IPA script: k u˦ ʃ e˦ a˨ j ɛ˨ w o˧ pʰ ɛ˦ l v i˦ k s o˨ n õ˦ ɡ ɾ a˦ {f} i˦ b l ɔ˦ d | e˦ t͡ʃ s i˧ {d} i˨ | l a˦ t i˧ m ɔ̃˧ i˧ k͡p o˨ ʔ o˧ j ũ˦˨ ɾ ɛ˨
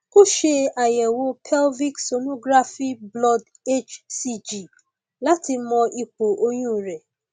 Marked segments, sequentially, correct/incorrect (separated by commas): correct, incorrect